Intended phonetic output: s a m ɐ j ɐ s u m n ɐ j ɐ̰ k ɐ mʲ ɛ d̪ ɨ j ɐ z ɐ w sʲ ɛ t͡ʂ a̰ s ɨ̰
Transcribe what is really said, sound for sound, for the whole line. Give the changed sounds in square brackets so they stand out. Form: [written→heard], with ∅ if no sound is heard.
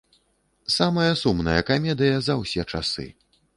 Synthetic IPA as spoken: s a m ɐ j ɐ s u m n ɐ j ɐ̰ k [ɐ→a] mʲ ɛ d̪ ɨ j ɐ z ɐ w sʲ ɛ t͡ʂ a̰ s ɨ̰